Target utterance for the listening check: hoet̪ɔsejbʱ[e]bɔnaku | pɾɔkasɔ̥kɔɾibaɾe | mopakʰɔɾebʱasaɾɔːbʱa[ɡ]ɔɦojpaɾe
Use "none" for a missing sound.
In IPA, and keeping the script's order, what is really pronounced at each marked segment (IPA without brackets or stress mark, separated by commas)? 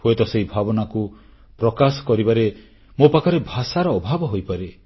a, b